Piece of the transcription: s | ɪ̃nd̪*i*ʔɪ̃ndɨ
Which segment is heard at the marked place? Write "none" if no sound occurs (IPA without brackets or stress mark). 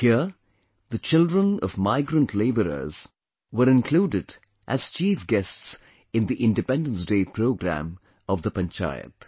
i